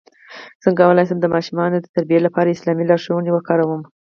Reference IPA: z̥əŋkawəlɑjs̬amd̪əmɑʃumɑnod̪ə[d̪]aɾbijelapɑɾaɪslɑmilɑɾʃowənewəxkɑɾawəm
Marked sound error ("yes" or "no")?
yes